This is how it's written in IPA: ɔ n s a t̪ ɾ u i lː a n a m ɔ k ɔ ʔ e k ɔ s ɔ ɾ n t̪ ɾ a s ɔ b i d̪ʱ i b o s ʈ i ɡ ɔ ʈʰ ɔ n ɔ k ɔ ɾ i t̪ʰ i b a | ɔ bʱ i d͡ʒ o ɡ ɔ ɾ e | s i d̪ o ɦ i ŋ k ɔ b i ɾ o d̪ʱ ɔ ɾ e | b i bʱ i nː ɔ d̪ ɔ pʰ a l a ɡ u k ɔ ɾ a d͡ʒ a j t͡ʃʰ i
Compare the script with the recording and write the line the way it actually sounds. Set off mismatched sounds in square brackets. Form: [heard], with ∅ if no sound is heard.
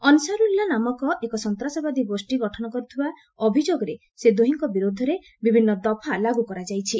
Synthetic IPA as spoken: ɔ n s a [∅] ɾ u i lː a n a m ɔ k ɔ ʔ e k ɔ s ɔ [∅] n t̪ ɾ a s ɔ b [a] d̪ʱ i b o s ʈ i ɡ ɔ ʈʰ ɔ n ɔ k ɔ ɾ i t̪ʰ i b a | ɔ bʱ i d͡ʒ o ɡ ɔ ɾ e | s [e] d̪ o ɦ i ŋ k ɔ b i ɾ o d̪ʱ ɔ ɾ e | b i bʱ i nː ɔ d̪ ɔ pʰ a l a ɡ u k ɔ ɾ a d͡ʒ a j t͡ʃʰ i